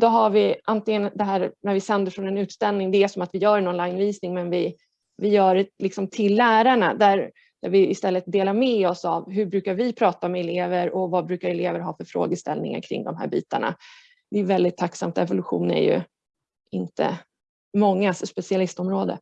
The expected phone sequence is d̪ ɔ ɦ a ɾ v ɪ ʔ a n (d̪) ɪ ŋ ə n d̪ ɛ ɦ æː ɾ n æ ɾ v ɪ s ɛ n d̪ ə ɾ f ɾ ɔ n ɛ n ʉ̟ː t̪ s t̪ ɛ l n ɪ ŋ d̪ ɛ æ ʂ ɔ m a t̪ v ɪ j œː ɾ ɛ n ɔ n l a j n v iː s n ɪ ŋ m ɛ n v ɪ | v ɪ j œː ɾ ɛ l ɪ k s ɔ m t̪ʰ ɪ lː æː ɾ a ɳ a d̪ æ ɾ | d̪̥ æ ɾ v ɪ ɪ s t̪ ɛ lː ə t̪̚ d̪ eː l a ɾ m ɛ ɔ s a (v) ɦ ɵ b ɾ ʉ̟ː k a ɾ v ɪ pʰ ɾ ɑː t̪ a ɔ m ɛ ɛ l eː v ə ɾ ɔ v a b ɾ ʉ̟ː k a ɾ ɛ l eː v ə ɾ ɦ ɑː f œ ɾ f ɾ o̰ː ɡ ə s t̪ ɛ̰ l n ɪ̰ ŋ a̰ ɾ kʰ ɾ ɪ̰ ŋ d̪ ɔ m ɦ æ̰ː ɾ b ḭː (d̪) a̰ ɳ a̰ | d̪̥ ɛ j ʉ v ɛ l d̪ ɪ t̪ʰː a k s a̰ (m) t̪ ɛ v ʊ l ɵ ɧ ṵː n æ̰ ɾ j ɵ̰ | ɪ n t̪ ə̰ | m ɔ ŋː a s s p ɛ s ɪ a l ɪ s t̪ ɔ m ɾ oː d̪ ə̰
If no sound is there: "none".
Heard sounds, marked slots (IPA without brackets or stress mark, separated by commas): t̪, v, t̪, m